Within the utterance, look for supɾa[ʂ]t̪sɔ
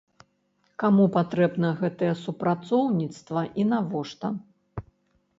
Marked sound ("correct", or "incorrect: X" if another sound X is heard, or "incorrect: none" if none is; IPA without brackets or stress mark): incorrect: none